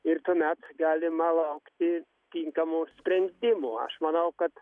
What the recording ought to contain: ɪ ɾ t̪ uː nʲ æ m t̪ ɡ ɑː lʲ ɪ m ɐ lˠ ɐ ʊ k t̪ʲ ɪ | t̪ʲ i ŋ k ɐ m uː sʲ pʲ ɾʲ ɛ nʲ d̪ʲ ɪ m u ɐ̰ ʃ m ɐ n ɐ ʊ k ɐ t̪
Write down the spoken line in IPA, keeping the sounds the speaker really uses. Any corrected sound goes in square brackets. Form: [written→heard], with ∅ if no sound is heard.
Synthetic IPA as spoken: ɪ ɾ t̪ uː [nʲ→mʲ] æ [m→∅] t̪ ɡ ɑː lʲ ɪ m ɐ lˠ ɐ ʊ k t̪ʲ ɪ | t̪ʲ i ŋ k ɐ m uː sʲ pʲ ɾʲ ɛ nʲ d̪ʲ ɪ m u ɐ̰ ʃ m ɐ n ɐ ʊ k ɐ t̪